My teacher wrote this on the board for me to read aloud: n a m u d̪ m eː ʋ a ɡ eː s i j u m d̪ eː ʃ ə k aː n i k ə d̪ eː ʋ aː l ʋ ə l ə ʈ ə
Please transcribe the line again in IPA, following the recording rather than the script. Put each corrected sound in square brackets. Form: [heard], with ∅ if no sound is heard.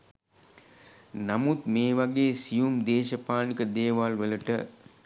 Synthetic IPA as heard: n a m u [t̪] m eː ʋ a ɡ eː s i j u m d̪ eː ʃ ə [p] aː n i k ə d̪ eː ʋ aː l ʋ ə l ə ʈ ə